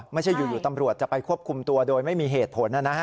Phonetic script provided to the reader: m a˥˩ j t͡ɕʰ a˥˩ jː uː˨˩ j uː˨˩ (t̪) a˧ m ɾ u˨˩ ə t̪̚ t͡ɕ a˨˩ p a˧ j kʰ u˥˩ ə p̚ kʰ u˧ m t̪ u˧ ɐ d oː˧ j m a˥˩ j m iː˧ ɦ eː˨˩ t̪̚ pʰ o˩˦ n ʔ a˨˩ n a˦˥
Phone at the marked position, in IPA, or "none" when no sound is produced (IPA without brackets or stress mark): t̪